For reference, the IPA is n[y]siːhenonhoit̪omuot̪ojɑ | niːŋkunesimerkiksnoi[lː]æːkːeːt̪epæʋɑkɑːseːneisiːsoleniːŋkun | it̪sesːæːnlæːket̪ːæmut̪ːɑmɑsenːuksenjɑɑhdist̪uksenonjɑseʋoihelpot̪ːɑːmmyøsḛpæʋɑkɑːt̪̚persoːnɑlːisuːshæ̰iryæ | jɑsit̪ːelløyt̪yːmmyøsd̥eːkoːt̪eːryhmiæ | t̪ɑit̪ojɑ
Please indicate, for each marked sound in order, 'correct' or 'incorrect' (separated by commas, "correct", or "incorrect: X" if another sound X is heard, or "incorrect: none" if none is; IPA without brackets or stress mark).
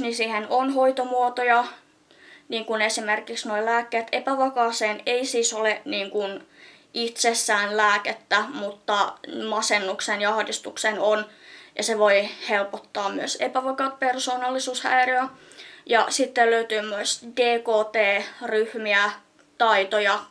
incorrect: i, incorrect: l